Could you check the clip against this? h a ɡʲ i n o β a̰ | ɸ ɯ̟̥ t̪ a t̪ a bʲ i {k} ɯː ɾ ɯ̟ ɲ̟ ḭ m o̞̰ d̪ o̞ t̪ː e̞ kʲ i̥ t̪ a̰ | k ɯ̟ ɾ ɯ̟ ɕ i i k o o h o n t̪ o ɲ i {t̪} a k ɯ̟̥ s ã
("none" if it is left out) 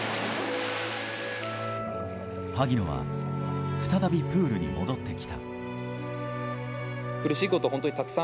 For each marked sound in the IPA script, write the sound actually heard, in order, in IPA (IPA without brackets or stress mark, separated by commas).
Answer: p, t̪